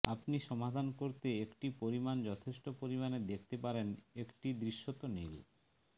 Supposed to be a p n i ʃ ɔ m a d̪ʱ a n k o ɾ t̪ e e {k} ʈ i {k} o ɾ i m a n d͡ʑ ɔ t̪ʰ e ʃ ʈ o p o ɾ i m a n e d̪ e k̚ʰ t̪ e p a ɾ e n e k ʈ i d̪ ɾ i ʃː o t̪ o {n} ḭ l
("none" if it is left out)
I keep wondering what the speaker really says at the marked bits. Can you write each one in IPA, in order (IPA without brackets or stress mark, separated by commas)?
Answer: k, p, n